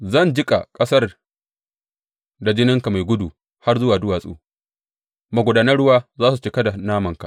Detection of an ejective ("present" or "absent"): present